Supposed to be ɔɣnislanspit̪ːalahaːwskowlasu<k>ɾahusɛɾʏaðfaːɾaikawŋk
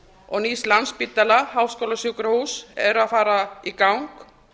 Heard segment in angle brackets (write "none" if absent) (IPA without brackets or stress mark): k